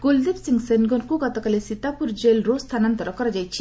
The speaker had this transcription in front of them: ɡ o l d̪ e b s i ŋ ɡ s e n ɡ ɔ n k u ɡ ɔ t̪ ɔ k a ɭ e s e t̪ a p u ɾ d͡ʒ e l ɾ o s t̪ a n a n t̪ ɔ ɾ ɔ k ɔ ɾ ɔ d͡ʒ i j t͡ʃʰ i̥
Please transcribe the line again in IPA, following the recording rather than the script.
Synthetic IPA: ɡ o l d̪ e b s i ŋ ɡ s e n ɡ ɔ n k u ɡ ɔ t̪ ɔ k a l e s i t̪ a p u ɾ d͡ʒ e l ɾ o s t̪ʰ a n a n t̪ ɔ ɾ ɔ k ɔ ɾ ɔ d͡ʒ a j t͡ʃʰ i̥